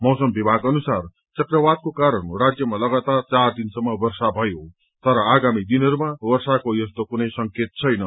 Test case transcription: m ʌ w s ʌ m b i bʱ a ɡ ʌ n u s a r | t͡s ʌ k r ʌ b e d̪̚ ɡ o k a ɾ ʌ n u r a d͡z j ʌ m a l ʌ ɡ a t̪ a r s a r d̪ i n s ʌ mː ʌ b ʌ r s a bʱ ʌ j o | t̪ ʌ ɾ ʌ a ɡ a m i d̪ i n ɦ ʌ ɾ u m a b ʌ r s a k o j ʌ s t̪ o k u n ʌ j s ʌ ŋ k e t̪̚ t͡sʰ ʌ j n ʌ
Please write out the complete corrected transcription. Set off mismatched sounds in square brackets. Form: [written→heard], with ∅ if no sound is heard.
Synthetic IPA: m ʌ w s ʌ m b i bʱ a ɡ ʌ n u s a r | t͡s ʌ k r ʌ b [e→a] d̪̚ [ɡ→k] o k a ɾ ʌ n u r a d͡z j ʌ m a l ʌ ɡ a t̪ a r [s→t͡s] a r d̪ i n s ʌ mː ʌ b ʌ r s a bʱ ʌ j o | t̪ ʌ ɾ ʌ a ɡ a m i d̪ i n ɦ ʌ ɾ u m a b ʌ r s a k o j ʌ s t̪ o k u n ʌ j s ʌ ŋ k e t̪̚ t͡sʰ ʌ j n ʌ